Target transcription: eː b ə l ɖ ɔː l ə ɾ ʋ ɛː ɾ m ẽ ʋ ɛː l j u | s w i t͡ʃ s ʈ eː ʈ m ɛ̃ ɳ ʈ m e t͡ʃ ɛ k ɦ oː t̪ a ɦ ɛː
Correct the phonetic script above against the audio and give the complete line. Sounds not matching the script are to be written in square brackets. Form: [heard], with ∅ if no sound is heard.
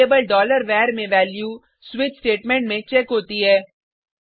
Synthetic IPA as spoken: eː b ə l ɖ ɔː l ə ɾ ʋ ɛː ɾ m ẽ ʋ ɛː l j u | s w [ɪ] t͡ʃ s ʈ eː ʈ m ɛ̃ ɳ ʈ m [ẽ] t͡ʃ ɛ k ɦ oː t̪ [i] ɦ ɛː

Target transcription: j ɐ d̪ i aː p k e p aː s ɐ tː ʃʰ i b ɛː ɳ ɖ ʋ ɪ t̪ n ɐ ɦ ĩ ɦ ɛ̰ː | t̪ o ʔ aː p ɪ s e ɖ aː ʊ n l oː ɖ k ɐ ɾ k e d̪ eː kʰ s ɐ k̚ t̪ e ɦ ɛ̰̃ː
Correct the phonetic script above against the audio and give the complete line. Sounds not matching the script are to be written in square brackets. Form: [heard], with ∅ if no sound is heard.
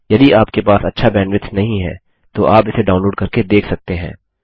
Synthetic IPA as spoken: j ɐ d̪ i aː p k e p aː s ɐ tː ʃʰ [a] b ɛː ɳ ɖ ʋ ɪ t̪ n ɐ ɦ ĩ ɦ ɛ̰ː | t̪ o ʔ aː p ɪ s e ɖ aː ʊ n l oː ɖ k ɐ ɾ k e d̪ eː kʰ s ɐ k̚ t̪ e ɦ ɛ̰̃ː

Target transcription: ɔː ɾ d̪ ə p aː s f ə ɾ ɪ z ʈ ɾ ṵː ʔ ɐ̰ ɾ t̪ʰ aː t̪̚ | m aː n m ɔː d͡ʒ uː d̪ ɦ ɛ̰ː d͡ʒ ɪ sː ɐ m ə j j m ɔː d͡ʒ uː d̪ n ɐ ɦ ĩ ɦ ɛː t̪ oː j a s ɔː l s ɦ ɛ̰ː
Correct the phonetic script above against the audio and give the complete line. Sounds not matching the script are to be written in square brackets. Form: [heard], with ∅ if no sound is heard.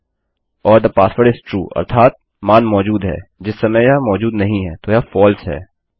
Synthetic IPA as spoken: ɔː ɾ d̪ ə p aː s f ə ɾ ɪ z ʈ ɾ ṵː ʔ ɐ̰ ɾ t̪ʰ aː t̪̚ | m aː n m ɔː d͡ʒ uː d̪ ɦ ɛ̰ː d͡ʒ ɪ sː ɐ m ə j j m ɔː d͡ʒ uː d̪ n ɐ ɦ ĩ ɦ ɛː t̪ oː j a [f] ɔː l s ɦ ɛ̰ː

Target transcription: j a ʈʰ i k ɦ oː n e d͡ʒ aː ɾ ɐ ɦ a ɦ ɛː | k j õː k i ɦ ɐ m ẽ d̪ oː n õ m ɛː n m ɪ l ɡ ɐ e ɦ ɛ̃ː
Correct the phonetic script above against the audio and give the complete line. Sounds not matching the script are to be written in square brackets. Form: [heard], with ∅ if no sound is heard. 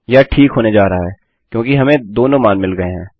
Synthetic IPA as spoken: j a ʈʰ [iː] k ɦ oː n e d͡ʒ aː ɾ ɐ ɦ a ɦ ɛː | k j õː k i ɦ ɐ m ẽ d̪ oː n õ m [aː] n m ɪ l ɡ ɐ e ɦ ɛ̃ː

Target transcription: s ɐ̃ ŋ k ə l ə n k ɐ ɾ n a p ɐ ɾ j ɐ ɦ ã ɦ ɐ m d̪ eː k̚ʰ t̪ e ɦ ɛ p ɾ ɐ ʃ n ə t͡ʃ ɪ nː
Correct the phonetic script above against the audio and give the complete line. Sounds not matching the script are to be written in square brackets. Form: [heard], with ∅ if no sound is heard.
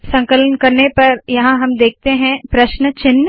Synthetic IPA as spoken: s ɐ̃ ŋ k ə l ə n k ɐ ɾ n [e] p ɐ ɾ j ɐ ɦ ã ɦ ɐ m d̪ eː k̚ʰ t̪ e ɦ [ɛ̃] p ɾ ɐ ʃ n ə t͡ʃ ɪ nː

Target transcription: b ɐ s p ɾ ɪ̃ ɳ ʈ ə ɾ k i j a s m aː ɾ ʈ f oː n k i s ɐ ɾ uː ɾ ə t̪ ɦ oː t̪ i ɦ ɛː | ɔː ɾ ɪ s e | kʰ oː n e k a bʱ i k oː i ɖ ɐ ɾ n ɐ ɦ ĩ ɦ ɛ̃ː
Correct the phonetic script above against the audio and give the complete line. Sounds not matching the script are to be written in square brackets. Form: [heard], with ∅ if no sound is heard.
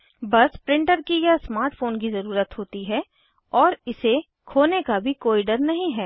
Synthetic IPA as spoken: b ɐ s p ɾ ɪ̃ ɳ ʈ ə ɾ k i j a s m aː ɾ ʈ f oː n k i [z] ɐ ɾ uː ɾ ə t̪ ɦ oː t̪ i ɦ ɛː | ɔː ɾ ɪ s e | kʰ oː n e k a bʱ i k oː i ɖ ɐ ɾ n ɐ ɦ ĩ ɦ [ɛː]

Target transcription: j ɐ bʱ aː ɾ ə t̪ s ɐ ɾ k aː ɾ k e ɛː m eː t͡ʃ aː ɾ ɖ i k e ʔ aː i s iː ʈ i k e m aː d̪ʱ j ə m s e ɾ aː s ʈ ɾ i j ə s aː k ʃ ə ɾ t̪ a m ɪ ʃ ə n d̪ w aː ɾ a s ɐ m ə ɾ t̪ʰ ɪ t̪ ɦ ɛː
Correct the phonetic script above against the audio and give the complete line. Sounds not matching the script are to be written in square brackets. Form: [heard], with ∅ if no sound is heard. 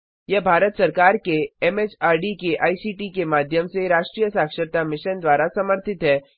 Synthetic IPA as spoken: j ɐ bʱ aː ɾ ə t̪ s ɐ ɾ k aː ɾ k e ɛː m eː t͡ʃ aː ɾ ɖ i k e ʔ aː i s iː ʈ i k e m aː d̪ʱ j ə m s e ɾ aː [ʃ] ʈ ɾ i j ə s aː k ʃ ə ɾ t̪ a m ɪ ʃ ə n d̪ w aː ɾ a s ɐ m ə ɾ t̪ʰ ɪ t̪ ɦ ɛː

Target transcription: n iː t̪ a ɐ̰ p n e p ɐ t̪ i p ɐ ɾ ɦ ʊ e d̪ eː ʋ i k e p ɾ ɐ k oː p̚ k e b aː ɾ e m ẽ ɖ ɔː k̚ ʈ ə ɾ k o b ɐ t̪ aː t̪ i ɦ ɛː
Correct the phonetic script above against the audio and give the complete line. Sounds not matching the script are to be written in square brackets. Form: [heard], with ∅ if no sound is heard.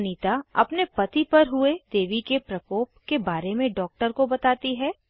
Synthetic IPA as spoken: n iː t̪ a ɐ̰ p n e p ɐ t̪ i p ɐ ɾ ɦ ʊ e d̪ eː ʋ i k e p ɾ ɐ k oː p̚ k e b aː ɾ e m ẽ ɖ ɔː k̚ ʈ ə ɾ k o b ɐ t̪ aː t̪ i ɦ ɛː

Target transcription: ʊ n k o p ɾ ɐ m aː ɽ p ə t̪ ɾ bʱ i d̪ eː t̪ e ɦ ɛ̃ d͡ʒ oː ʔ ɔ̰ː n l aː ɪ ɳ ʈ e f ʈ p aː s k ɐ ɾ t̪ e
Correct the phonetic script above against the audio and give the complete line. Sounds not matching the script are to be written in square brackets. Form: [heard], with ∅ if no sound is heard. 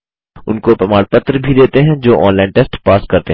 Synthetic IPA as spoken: ʊ n k o p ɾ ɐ m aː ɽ p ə t̪ ɾ bʱ i d̪ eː t̪ e ɦ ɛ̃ d͡ʒ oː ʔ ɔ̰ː n l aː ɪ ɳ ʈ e [s] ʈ p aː s k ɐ ɾ t̪ e

